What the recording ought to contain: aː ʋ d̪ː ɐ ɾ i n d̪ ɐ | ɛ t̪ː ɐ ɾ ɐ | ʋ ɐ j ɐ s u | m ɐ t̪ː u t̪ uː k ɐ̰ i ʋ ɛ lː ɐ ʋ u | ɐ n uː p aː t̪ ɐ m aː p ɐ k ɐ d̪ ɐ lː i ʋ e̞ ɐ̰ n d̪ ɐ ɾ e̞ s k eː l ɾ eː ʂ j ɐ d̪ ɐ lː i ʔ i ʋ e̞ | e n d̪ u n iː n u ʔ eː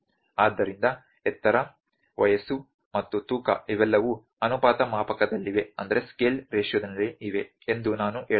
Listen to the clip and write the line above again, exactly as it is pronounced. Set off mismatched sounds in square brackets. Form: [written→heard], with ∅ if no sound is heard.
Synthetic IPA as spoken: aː [ʋ→∅] d̪ː ɐ ɾ i n d̪ ɐ | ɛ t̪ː ɐ ɾ ɐ | ʋ ɐ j ɐ s u | m ɐ t̪ː u t̪ uː k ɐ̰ i ʋ ɛ lː ɐ ʋ u | ɐ n [uː→u] p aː t̪ ɐ m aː p ɐ k ɐ d̪ ɐ lː i ʋ e̞ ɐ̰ n d̪ ɐ ɾ e̞ s k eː l ɾ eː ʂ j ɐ d̪ ɐ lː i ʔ i ʋ e̞ | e n d̪ u n [iː→aː] n u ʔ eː